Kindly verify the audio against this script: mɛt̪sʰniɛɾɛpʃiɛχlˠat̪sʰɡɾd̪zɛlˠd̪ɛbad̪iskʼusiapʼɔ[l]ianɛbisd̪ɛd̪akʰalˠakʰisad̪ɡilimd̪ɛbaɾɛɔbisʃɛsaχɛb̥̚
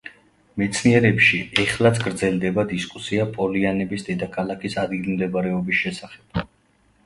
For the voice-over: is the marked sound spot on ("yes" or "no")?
yes